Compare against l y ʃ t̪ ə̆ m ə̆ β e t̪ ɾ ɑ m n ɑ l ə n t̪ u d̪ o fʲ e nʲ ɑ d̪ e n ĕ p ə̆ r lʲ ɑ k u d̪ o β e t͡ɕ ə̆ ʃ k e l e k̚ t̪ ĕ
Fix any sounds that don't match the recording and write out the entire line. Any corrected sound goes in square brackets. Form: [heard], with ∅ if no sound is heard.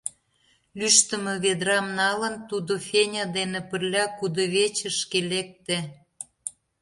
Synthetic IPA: l y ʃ t̪ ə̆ m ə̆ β e [d̪] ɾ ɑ m n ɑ l ə n t̪ u d̪ o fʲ e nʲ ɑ d̪ e n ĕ p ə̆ r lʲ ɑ k u d̪ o β e t͡ɕ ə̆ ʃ k e l e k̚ t̪ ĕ